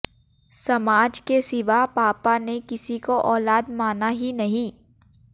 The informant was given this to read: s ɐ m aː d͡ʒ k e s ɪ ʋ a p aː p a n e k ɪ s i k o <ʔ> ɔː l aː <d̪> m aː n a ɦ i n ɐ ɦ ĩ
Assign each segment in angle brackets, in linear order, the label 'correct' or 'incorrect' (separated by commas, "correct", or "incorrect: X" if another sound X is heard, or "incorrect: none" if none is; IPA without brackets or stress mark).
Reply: correct, correct